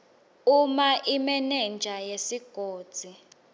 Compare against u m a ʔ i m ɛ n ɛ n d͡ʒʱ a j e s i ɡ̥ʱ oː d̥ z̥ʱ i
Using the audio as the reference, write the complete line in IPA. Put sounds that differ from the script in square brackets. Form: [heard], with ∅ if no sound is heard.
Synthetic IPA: u m a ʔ i m ɛ n ɛ n d͡ʒʱ a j e s i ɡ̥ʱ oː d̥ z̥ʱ i